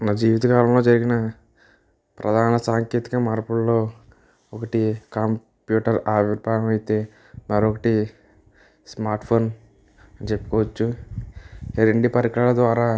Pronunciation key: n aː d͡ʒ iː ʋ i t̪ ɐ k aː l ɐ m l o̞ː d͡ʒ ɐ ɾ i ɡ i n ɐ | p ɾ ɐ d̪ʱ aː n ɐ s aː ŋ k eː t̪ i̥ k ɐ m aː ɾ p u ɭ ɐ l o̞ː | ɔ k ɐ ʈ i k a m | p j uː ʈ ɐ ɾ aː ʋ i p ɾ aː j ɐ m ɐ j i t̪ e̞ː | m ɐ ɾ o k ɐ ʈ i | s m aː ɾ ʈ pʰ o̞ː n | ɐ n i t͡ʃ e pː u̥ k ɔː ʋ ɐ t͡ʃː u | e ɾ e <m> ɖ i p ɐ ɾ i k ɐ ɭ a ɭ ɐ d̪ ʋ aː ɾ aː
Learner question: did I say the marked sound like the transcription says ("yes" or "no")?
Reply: no